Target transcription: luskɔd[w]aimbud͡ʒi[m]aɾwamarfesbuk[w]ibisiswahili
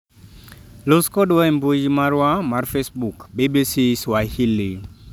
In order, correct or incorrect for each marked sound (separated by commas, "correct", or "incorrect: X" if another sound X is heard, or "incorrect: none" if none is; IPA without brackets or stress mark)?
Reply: correct, correct, incorrect: b